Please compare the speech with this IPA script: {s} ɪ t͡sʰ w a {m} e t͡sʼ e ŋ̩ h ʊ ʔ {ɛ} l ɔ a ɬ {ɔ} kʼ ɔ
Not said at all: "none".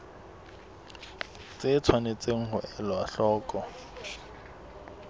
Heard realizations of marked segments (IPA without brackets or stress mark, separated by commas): t͡s, n, ɛ, ɔː